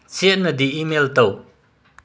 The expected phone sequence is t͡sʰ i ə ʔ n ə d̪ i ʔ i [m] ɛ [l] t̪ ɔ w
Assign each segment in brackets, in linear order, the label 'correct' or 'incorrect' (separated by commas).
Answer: correct, correct